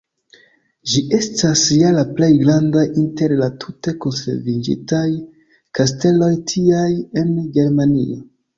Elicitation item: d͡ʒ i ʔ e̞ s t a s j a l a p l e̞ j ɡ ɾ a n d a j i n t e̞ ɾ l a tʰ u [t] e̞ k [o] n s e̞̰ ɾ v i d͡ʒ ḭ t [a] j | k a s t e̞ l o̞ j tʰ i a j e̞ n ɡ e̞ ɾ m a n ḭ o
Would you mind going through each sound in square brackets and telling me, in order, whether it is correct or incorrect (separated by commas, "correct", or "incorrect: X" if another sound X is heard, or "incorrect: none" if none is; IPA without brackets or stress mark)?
correct, correct, correct